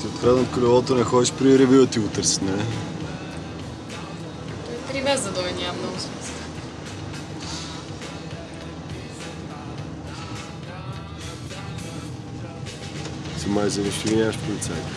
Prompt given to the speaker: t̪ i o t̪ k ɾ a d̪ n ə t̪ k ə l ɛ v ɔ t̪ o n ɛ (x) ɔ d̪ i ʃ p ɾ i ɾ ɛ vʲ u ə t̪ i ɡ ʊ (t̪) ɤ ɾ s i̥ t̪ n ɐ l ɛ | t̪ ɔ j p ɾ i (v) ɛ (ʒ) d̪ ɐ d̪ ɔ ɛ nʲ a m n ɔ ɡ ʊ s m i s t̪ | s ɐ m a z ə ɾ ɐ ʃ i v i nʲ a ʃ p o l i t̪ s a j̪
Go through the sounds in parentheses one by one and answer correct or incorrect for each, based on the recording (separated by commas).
correct, correct, correct, incorrect